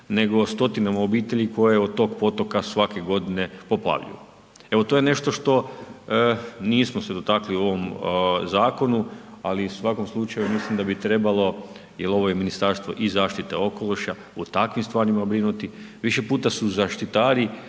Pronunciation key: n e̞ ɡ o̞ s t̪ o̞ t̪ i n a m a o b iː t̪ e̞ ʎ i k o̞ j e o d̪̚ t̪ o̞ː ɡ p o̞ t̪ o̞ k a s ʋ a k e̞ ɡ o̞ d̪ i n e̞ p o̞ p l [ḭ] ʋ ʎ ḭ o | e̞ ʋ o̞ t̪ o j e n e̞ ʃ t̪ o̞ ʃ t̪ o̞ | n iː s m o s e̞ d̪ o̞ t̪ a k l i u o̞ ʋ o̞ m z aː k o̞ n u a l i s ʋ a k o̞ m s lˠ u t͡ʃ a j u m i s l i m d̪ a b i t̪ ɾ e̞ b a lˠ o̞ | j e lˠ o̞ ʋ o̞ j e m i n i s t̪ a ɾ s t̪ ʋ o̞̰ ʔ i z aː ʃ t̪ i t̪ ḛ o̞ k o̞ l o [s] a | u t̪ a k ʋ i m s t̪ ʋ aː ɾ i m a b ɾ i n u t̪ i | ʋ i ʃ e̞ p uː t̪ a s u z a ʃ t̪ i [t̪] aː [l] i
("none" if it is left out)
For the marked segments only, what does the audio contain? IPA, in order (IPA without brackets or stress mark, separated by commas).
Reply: a̰, ʃ, t̪, ɾ